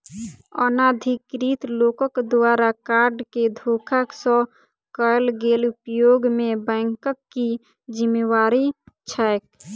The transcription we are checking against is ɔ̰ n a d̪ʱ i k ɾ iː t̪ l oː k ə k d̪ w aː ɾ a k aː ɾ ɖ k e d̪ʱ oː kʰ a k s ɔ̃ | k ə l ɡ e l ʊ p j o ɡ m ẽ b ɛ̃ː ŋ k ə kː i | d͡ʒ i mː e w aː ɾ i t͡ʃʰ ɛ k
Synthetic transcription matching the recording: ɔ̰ n a d̪ʱ i k ɾ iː t̪ l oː k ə k d̪ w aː ɾ a k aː ɾ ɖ k e d̪ʱ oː kʰ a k s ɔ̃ | k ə l ɡ e l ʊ p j o ɡ m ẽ b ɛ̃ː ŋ k ə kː i | d͡ʒ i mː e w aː ɾ i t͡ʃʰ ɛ k